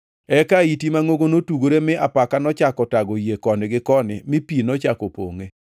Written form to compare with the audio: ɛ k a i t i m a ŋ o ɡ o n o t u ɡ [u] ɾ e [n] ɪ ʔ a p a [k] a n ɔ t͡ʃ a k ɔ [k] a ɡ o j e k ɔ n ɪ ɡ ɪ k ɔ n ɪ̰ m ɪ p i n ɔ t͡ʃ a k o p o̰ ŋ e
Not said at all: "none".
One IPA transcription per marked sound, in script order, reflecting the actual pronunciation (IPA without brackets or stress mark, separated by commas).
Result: o, m, k, t